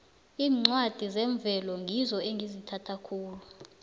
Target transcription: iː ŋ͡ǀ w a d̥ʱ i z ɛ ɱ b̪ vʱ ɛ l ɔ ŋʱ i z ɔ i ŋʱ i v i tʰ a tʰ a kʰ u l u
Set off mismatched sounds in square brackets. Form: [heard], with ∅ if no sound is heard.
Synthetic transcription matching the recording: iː ŋ͡ǀ w a d̥ʱ i z ɛ ɱ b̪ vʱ ɛ l ɔ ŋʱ i z ɔ [e] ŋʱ i [z] i tʰ a tʰ a kʰ [uː] l u